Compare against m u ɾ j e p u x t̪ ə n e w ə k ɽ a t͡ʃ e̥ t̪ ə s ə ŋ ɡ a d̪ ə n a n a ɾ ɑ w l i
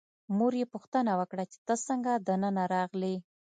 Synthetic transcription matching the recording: m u ɾ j e p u x t̪ ə n a w ə k ɽ a t͡ʃ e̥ t̪ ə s ə ŋ ɡ a d̪ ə n ə n a ɾ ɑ ɣ l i